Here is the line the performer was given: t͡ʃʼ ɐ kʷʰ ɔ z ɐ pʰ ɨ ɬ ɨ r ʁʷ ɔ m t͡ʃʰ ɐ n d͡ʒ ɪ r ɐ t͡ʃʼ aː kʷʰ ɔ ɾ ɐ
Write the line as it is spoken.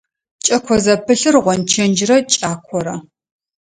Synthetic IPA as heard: t͡ʃʼ ɐ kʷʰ ɔ z ɐ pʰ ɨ ɬ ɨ r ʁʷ ɔ n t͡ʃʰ ɐ n d͡ʒ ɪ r ɐ t͡ʃʼ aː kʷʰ ɔ ɾ ɐ